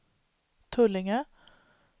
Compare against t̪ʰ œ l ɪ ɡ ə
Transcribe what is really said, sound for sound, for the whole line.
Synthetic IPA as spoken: t̪ʰ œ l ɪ ŋ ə